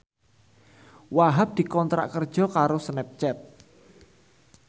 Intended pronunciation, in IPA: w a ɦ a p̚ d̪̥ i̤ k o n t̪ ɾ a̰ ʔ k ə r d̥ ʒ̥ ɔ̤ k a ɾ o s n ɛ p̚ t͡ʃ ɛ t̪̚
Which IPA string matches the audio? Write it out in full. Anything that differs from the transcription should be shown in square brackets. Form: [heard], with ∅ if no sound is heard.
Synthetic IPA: w a ɦ a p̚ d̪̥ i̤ k [ɔ] n t̪ ɾ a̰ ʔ k ə r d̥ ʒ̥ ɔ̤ k a ɾ o s n ɛ p̚ t͡ʃ ɛ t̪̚